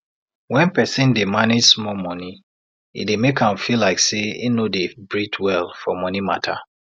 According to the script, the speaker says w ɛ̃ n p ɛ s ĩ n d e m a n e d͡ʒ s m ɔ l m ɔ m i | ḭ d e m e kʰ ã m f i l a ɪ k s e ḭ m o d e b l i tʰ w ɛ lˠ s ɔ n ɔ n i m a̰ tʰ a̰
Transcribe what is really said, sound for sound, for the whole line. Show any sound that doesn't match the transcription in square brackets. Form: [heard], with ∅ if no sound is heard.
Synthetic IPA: w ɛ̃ n p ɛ s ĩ n d e m a n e d͡ʒ s m ɔ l m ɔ [n] i | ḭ d e m e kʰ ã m f i l a ɪ k s e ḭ [n] o d e b [ɹ] i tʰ w ɛ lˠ [f] ɔ [m] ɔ n i m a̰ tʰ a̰